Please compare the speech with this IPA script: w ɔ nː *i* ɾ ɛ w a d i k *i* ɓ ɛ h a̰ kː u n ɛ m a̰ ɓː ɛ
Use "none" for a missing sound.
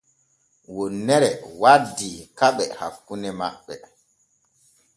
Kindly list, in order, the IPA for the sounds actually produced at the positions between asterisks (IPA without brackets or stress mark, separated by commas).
ɛ, a